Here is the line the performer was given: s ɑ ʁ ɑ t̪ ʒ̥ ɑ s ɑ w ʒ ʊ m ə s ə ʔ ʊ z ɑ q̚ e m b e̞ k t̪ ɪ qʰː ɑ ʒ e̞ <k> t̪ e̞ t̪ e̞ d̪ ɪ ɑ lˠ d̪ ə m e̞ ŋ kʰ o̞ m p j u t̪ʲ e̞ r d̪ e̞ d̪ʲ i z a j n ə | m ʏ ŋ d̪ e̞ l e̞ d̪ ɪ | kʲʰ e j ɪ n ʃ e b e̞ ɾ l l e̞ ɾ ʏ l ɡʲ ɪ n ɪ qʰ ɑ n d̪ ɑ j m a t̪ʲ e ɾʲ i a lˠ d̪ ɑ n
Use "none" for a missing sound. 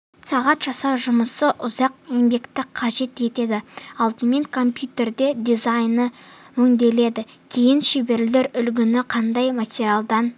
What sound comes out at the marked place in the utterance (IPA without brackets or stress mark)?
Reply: none